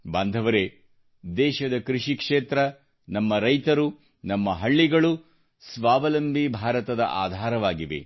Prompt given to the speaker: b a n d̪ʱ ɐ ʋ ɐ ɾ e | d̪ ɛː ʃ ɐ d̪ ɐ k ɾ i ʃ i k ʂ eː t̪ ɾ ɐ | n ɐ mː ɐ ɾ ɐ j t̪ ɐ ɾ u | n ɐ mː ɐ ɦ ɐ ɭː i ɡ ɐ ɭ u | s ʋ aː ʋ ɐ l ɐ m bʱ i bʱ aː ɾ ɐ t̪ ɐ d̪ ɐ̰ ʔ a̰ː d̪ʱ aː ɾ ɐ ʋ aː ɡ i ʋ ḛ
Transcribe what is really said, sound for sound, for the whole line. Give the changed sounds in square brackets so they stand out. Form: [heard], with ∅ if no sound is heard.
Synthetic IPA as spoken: b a n d̪ʱ ɐ ʋ ɐ ɾ e | d̪ ɛː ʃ ɐ d̪ ɐ k ɾ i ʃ i k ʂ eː t̪ ɾ ɐ | n ɐ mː ɐ ɾ ɐ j t̪ ɐ ɾ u | n ɐ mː ɐ ɦ ɐ ɭː i ɡ ɐ ɭ u | s ʋ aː ʋ ɐ l ɐ m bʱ i bʱ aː ɾ ɐ t̪ ɐ d̪ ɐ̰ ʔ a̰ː d̪ʱ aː ɾ ɐ ʋ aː ɡ i ʋ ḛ